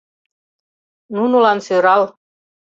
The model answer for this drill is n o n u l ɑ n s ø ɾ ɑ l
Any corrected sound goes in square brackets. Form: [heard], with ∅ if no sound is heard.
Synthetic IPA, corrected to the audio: n [u] n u l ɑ n s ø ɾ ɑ l

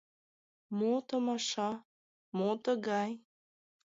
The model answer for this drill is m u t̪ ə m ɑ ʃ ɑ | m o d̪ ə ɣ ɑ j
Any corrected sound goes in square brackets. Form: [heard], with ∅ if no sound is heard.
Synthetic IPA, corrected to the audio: m [o] t̪ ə m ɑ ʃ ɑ | m o [t̪] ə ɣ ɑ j

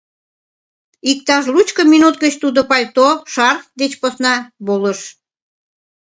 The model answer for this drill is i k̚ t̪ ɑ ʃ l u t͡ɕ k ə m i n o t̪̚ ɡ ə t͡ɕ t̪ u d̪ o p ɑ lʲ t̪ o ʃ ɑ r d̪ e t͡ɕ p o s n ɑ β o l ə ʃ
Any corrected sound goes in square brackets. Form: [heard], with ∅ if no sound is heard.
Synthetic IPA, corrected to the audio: i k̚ t̪ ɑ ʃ l u t͡ɕ k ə m i n [u] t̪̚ ɡ ə t͡ɕ t̪ u d̪ o p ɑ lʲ t̪ o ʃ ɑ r d̪ e t͡ɕ p o s n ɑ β o l ə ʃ

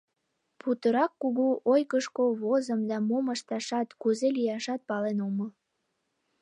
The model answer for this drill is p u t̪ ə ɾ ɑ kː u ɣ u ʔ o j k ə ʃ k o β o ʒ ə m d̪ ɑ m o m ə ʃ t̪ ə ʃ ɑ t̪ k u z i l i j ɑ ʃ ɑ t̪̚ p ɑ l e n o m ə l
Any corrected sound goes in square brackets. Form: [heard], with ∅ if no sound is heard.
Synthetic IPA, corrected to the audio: p u t̪ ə ɾ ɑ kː u ɣ u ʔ o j k ə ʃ k o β o [z] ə m d̪ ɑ m o m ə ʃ t̪ [ɑ] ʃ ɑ t̪ k u z [e] l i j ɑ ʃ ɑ t̪̚ p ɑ l e n o m ə l

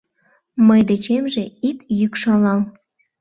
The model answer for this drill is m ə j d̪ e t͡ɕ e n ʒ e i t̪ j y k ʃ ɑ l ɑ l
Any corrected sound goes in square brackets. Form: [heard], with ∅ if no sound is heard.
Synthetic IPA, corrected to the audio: m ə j d̪ e t͡ɕ e [m] ʒ e i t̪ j y k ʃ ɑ l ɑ l

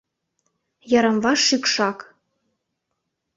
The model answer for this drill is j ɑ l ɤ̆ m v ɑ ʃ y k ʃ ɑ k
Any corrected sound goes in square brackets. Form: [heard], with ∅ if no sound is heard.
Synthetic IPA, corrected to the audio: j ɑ [ɾ] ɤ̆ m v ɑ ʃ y k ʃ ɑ k

